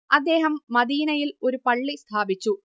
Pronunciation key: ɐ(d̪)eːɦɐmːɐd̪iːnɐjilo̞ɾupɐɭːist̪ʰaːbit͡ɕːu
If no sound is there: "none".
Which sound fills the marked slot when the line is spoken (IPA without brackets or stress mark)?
d̪ː